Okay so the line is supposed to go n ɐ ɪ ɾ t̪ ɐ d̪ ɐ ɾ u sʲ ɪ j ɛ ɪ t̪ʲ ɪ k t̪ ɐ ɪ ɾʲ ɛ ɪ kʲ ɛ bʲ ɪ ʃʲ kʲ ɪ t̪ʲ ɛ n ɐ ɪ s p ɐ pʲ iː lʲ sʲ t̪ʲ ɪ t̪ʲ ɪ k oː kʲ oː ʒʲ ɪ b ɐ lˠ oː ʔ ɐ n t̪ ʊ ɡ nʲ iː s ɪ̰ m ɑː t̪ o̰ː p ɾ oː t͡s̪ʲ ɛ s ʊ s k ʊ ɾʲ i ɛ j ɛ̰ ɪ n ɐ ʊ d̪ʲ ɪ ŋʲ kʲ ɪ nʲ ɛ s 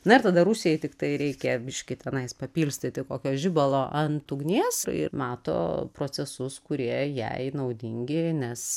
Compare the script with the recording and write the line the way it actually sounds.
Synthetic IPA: n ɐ ɪ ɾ t̪ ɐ d̪ ɐ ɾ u sʲ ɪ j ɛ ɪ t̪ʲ ɪ k t̪ ɐ ɪ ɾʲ ɛ ɪ kʲ ɛ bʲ ɪ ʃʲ kʲ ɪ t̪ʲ ɛ n ɐ ɪ s p ɐ pʲ iː lʲ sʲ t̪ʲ ɪ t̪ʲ ɪ k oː kʲ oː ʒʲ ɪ b ɐ lˠ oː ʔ ɐ n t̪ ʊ ɡ nʲ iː s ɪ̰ m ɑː t̪ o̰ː p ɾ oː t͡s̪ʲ ɛ s ʊ s k ʊ ɾʲ i ɛ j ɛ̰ ɪ n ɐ ʊ d̪ʲ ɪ ŋʲ ɡʲ ɪ nʲ ɛ s